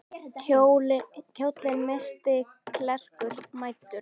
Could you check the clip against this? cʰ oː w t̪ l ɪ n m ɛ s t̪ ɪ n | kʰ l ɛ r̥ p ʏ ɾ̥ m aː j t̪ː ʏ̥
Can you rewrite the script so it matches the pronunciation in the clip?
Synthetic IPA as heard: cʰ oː w t̪ l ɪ n m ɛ s t̪ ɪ | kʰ l ɛ r̥ k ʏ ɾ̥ m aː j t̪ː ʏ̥